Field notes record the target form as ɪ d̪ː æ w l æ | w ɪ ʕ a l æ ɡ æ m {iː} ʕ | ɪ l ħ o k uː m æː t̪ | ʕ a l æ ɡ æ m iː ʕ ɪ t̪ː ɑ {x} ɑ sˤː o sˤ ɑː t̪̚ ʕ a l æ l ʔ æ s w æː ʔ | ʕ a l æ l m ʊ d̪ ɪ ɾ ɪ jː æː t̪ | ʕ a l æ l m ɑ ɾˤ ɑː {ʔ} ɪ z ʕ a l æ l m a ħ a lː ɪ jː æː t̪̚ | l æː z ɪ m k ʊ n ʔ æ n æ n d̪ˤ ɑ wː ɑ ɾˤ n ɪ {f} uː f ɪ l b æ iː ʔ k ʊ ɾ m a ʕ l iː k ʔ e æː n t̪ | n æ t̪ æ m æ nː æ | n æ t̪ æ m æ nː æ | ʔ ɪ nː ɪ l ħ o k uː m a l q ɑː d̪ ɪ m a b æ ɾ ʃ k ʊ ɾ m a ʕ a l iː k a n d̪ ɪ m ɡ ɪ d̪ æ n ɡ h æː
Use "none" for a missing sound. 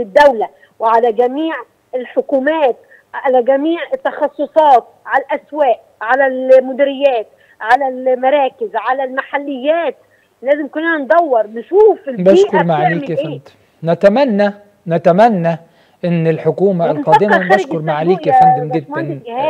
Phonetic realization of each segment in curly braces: iː, x, k, ʃ

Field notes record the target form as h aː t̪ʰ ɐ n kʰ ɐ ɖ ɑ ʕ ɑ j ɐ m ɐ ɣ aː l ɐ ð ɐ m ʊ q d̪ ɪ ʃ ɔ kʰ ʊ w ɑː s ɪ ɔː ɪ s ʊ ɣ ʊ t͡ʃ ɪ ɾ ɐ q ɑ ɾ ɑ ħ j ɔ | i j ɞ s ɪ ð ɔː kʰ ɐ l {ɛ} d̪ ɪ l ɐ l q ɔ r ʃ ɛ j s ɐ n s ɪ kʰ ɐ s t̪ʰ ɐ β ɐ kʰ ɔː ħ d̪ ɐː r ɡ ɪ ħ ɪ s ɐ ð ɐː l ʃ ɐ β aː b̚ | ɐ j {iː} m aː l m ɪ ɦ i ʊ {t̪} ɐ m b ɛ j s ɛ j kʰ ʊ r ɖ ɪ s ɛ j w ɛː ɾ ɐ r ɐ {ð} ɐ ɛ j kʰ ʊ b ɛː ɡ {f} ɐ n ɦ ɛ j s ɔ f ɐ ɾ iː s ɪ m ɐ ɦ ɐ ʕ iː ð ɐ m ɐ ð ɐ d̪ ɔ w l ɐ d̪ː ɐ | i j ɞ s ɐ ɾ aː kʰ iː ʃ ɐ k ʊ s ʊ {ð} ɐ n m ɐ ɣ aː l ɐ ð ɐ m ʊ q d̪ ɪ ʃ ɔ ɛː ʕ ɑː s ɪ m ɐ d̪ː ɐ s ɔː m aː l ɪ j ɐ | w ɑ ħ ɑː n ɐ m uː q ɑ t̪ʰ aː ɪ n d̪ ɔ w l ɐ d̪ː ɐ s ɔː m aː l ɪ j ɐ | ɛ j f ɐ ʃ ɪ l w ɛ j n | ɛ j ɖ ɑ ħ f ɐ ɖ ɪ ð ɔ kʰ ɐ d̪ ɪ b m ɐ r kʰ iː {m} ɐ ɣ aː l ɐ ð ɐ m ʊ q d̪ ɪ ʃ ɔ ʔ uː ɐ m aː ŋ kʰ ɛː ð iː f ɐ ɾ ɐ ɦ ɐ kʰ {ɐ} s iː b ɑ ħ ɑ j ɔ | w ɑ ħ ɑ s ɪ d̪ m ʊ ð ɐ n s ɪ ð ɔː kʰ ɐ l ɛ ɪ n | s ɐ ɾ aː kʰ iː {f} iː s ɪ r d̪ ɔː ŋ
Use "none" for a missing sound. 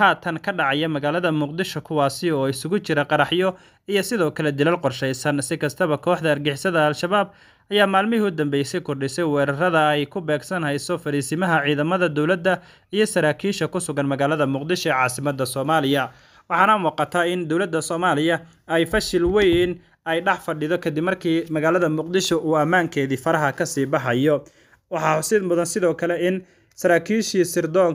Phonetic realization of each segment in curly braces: ɛ, aː, d̪, ð, s, ɣ, m, ɐ, ʃ

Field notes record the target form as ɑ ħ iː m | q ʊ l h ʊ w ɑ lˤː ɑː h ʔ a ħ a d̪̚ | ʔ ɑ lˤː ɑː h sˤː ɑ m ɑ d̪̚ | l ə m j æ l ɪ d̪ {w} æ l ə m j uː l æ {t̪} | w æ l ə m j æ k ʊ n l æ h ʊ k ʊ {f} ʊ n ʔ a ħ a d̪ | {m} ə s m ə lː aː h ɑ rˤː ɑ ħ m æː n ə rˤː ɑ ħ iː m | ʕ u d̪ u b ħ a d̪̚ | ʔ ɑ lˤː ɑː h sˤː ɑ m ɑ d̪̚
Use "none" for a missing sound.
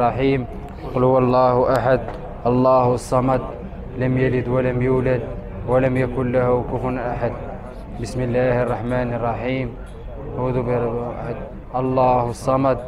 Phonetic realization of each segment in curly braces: w, d̪, f, b

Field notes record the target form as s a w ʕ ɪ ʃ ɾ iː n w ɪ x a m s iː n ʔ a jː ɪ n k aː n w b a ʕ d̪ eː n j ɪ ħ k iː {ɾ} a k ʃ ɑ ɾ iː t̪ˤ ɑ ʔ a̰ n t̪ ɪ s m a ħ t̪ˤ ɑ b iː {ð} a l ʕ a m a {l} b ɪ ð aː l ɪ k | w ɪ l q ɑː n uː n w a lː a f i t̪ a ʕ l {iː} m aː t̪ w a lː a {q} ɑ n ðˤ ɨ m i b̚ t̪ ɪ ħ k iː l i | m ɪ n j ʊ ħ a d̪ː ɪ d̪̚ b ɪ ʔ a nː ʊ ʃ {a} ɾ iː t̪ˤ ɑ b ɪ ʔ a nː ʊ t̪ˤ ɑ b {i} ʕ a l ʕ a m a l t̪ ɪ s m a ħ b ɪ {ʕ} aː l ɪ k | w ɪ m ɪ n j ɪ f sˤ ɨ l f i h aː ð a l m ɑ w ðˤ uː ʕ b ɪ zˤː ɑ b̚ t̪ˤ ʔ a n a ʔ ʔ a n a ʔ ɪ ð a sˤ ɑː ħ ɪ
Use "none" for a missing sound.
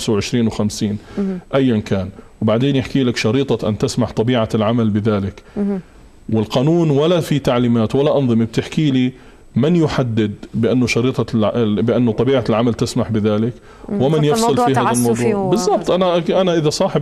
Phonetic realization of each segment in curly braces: l, ʕ, l, iː, ʔ, ɑ, iː, ð

